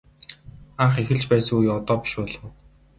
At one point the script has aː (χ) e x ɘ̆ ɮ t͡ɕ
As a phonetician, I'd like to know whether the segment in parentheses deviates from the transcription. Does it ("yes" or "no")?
no